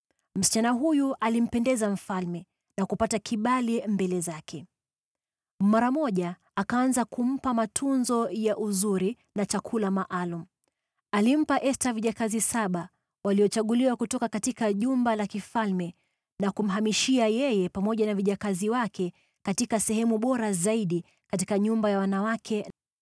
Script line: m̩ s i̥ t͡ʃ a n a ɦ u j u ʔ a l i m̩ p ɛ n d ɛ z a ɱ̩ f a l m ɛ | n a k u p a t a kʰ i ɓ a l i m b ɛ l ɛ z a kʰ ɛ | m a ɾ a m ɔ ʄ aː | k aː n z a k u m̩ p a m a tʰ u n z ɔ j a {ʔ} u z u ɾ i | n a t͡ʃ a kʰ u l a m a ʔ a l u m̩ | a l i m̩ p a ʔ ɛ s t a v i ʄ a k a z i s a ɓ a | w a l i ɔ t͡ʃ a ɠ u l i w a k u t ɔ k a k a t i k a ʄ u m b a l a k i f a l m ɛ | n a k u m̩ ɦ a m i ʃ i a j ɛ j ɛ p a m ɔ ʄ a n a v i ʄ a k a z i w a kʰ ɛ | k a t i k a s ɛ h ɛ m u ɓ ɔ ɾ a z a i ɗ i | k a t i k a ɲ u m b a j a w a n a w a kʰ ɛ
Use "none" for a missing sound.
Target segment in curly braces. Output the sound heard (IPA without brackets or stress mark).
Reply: ʔ